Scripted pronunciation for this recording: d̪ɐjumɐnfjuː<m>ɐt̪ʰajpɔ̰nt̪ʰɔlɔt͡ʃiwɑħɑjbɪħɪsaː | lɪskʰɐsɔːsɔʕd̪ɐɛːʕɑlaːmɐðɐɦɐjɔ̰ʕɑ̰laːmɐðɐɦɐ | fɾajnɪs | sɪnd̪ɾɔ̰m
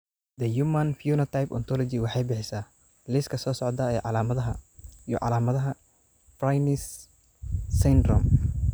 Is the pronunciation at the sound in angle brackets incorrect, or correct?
incorrect